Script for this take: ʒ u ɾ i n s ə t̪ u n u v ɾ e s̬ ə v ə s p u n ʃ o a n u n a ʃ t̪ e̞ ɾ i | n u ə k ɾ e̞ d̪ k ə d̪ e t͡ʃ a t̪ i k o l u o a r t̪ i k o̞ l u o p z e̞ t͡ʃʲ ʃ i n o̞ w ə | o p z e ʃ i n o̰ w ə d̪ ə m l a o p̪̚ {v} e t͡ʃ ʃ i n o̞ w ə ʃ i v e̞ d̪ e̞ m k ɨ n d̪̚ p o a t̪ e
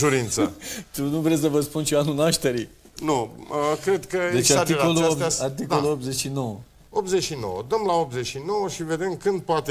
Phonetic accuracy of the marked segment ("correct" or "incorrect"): incorrect